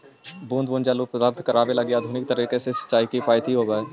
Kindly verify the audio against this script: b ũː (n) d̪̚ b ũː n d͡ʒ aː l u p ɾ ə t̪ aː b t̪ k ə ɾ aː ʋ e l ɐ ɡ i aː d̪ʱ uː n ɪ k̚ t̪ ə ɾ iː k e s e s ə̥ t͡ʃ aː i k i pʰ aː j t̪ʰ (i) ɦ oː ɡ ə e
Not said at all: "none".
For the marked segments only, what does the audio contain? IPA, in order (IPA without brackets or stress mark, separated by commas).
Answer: n, i